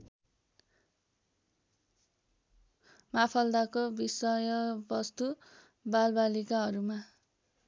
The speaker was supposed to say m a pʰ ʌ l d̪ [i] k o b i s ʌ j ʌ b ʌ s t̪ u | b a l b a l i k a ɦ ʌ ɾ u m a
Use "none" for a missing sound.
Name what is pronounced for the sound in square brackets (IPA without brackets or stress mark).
a